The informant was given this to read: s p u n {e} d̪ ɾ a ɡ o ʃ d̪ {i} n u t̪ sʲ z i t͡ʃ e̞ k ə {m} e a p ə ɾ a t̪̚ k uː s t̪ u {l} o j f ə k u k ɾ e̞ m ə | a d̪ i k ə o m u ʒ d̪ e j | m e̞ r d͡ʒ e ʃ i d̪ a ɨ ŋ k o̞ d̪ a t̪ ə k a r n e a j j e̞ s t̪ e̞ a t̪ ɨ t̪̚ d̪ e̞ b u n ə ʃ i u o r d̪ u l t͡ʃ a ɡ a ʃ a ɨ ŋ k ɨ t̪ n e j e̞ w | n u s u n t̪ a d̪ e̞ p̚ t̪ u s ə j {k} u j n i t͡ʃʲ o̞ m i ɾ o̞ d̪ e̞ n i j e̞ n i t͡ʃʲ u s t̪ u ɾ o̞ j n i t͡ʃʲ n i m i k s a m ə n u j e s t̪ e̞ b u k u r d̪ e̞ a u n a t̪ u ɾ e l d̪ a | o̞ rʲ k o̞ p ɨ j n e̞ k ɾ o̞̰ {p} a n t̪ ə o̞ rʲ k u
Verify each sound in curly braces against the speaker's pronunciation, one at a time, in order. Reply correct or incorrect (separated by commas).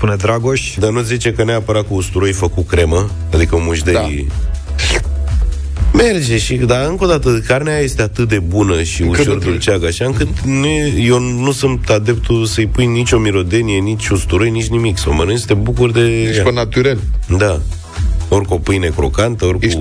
correct, incorrect, incorrect, incorrect, incorrect, incorrect